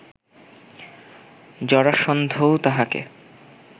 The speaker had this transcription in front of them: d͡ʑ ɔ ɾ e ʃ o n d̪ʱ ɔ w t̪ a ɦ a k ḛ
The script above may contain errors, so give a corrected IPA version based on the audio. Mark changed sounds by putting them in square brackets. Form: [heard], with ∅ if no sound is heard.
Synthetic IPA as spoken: d͡ʑ ɔ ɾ [a] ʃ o n d̪ʱ [o] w t̪ a ɦ a k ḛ